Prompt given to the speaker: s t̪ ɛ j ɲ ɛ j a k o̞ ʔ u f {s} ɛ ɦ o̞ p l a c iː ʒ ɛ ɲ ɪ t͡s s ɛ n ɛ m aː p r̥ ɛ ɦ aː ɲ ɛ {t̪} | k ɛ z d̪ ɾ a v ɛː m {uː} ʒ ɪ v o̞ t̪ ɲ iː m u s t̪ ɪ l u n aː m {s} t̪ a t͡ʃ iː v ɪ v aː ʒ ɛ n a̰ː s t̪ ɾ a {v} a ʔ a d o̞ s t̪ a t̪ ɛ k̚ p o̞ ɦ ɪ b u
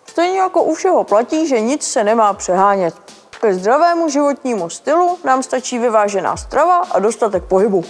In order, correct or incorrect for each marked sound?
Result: incorrect: ʃ, correct, incorrect: u, correct, correct

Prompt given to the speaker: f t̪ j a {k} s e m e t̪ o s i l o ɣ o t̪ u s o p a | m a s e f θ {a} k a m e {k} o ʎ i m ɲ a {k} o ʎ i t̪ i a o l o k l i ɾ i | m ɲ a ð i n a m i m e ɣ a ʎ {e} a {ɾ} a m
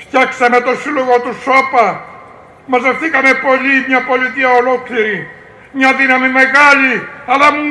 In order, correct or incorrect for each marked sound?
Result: correct, incorrect: i, incorrect: p, incorrect: p, incorrect: i, incorrect: l

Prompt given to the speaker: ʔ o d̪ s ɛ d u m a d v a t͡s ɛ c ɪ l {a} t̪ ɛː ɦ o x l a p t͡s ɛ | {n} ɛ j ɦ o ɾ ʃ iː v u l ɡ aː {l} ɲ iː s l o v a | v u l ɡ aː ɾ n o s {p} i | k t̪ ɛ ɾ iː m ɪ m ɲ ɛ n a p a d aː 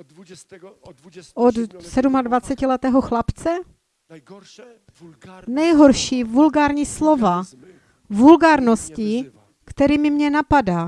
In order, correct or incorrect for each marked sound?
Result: incorrect: ɛ, correct, incorrect: ɾ, incorrect: c

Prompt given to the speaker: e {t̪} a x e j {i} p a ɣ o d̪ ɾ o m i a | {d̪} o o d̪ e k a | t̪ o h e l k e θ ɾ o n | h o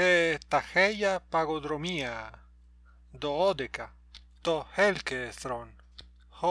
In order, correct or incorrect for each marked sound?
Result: correct, incorrect: a, correct

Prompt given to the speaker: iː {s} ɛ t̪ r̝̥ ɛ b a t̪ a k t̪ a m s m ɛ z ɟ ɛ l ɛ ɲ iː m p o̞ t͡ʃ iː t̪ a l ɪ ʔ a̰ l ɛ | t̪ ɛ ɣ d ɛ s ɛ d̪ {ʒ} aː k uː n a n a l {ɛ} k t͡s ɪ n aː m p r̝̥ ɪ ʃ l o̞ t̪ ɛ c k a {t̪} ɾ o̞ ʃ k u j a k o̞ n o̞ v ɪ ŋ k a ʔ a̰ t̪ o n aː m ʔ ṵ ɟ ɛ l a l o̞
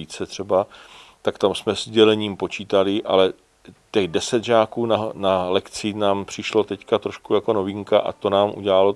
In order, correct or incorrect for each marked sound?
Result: incorrect: t͡s, correct, correct, correct

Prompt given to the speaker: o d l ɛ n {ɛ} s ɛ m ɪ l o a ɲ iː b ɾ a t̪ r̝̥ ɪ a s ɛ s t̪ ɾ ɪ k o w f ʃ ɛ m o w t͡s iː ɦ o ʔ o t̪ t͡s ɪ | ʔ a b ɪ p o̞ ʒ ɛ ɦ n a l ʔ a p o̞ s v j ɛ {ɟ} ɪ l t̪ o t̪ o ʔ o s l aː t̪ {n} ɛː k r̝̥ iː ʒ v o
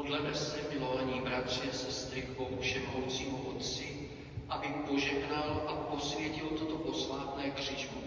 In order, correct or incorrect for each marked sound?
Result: correct, incorrect: c, correct

